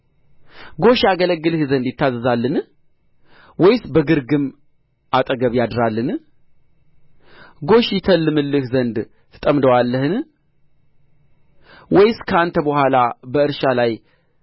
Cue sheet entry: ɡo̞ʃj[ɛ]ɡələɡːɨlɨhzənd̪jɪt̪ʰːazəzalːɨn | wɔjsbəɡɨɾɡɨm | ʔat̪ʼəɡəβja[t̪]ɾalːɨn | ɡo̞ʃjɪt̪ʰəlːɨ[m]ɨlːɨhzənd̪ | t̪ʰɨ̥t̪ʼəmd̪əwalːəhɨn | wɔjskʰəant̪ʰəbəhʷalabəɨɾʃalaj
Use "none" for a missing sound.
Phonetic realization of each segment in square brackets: a, d̪, m

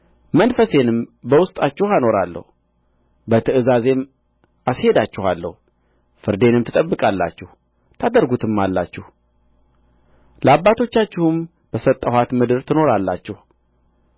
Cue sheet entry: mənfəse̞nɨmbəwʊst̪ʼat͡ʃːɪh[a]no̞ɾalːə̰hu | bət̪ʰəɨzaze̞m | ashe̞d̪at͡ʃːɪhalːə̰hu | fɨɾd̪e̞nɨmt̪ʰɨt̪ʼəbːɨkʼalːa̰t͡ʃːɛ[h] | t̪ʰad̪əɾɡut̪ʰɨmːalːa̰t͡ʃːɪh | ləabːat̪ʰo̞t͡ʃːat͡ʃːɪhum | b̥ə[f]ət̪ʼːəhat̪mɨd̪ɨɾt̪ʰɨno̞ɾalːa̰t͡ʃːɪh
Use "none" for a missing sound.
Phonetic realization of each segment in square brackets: a, h, s

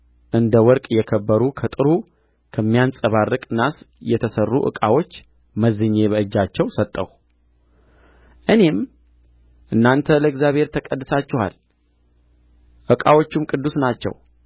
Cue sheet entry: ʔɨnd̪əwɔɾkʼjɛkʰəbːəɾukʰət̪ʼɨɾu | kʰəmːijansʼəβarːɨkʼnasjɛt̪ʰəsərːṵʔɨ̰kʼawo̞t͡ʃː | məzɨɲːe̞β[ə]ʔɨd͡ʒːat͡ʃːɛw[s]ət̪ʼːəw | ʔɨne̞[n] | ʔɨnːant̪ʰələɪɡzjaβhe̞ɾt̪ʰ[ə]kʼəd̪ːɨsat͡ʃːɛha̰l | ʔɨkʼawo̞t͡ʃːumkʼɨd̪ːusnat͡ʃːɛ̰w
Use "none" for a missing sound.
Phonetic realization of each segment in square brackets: ə, s, m, ə

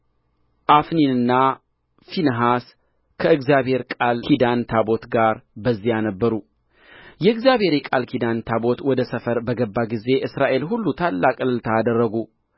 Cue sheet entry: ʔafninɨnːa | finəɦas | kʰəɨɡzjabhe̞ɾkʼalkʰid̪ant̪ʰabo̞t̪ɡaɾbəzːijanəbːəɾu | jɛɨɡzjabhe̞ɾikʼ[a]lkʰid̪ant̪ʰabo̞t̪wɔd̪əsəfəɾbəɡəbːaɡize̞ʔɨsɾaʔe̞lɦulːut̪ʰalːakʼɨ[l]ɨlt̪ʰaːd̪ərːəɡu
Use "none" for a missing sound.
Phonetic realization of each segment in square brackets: a, l

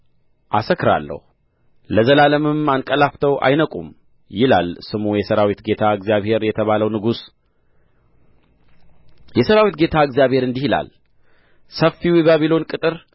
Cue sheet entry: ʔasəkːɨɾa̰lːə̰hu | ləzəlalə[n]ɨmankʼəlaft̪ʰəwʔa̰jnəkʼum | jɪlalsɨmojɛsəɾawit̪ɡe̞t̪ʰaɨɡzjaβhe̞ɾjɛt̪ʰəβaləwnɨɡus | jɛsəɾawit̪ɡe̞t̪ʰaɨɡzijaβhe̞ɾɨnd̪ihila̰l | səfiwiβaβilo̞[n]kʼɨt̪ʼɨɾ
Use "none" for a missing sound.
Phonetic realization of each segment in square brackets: m, n

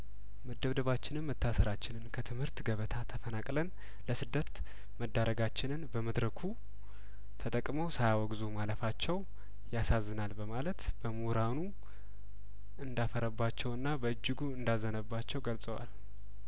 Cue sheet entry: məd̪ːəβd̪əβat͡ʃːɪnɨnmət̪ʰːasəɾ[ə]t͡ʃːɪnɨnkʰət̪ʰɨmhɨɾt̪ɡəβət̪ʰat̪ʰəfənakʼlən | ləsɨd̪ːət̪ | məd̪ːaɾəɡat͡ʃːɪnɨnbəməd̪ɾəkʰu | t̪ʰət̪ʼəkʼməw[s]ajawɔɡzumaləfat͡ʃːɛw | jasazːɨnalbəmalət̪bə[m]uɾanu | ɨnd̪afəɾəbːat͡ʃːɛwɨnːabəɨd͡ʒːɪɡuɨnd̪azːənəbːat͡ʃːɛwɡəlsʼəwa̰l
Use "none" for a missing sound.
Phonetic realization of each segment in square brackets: a, s, m

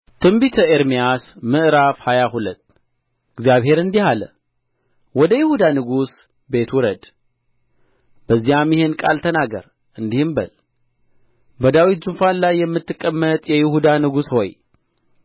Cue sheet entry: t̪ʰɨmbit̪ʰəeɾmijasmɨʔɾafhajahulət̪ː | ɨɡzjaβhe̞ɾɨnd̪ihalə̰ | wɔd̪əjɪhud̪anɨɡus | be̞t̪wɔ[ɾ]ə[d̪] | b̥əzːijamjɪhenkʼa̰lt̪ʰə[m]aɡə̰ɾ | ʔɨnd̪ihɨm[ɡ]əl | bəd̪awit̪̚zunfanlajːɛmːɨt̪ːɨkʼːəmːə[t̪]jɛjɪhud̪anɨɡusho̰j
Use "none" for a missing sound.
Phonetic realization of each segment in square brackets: ɾ, d̪, n, b, t̪ʼ

